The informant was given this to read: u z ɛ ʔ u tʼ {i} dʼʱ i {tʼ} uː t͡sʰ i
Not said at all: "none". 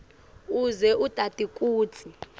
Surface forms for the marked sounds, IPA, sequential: a, kʼ

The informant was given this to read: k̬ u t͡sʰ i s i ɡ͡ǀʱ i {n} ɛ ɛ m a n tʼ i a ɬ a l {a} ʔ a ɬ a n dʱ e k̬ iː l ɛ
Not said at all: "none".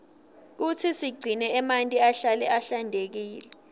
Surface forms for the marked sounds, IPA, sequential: n, ɛ

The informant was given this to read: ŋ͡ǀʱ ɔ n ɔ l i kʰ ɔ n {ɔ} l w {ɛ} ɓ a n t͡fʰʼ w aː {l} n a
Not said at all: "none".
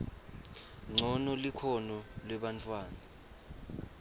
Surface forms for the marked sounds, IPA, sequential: ɔ, ɛ, none

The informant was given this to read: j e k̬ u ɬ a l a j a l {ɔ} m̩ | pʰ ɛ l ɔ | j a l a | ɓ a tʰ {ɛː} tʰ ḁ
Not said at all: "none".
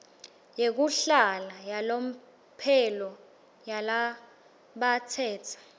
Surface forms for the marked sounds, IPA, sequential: o, ɛː

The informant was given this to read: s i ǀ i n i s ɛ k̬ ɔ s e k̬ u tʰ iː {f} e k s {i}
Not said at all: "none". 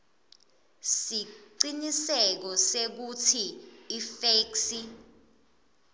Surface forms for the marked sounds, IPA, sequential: f, i

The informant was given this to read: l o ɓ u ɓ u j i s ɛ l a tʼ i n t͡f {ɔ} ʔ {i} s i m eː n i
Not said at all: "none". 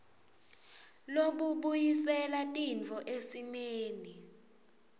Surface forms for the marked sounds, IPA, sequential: ɔ, e

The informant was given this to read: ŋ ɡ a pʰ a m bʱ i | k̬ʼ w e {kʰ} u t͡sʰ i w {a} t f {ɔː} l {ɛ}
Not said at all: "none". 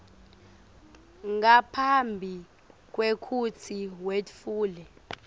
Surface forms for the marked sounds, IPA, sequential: kʰ, e, uː, ɛ

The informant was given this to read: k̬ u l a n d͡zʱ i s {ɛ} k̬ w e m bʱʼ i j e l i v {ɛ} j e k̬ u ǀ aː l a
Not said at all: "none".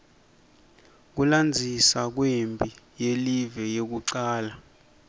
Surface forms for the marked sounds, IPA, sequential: a, ɛ

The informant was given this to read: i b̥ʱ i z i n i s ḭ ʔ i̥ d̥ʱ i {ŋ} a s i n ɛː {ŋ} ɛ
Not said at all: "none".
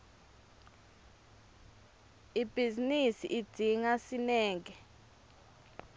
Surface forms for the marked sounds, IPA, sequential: ŋ, ŋ

